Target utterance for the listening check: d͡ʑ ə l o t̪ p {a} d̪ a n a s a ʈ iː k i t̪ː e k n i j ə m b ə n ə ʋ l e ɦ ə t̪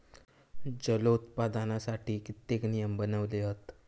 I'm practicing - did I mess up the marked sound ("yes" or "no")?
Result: no